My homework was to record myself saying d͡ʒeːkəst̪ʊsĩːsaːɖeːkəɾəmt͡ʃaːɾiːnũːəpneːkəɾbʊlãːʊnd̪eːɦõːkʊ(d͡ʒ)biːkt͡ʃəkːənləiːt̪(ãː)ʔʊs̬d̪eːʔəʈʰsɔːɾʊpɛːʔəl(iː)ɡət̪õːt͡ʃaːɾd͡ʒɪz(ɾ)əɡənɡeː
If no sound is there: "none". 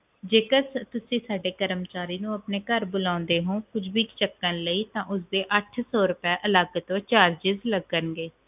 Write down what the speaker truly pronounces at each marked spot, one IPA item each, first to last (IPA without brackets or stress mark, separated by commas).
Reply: d͡ʒ, ãː, aː, l